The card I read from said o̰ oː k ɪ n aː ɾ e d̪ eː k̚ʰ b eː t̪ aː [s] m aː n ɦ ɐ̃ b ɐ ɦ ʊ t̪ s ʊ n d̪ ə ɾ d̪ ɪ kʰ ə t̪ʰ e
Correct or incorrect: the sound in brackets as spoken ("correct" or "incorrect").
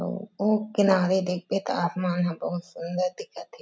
correct